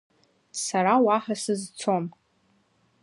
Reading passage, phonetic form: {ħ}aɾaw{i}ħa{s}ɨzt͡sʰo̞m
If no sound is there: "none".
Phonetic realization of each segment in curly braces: s, a, s

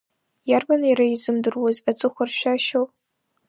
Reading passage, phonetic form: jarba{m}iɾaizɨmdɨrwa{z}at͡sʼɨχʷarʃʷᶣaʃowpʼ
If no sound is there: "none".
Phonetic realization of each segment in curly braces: n, z

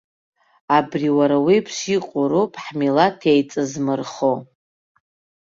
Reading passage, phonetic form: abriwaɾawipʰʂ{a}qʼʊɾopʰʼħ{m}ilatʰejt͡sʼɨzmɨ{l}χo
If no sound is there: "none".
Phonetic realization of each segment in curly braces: i, m, r

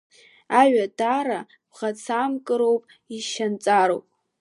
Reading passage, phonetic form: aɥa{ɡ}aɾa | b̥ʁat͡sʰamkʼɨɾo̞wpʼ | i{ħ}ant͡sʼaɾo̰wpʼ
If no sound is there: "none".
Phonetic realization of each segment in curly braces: d, ʃ

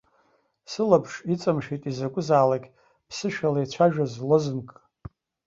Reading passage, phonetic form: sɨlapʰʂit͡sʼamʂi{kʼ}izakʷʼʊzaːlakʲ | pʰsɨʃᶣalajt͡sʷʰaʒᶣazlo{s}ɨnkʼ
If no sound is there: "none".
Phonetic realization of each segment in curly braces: tʼ, z

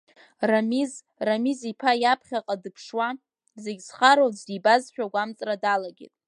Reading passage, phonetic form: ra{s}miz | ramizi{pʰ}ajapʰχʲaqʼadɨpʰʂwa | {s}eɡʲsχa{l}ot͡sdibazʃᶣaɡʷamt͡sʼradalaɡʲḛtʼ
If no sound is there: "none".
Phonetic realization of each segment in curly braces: none, pʰ, z, ɾ

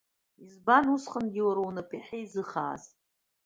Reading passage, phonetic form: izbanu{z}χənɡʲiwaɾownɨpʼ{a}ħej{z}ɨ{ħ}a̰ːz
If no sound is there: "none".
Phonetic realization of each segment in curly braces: s, i, z, χ

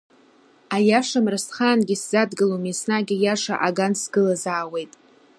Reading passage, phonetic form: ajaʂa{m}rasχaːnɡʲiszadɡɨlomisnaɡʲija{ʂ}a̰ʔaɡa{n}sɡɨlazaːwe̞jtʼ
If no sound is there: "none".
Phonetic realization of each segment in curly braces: m, ʂ, n

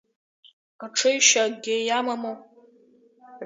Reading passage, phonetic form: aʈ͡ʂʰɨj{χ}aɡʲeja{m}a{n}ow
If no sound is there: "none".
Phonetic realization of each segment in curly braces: ʃ, m, m

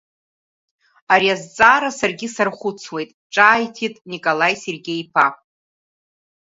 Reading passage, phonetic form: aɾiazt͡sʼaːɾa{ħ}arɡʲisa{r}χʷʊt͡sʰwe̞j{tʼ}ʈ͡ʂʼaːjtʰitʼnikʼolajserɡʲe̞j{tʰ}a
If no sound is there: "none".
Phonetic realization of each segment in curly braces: s, r, tʼ, pʰ

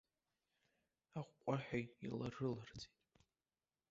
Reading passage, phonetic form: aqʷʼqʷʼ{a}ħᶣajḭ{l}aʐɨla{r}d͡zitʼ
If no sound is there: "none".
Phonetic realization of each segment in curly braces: a, l, r

